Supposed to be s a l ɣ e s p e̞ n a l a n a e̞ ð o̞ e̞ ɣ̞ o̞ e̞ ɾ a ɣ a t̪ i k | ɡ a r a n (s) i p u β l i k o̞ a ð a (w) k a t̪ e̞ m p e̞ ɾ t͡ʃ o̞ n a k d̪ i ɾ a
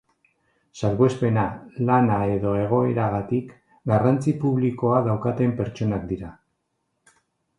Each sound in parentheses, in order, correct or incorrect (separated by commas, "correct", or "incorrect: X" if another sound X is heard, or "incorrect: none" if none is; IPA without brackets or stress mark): incorrect: t͡s, correct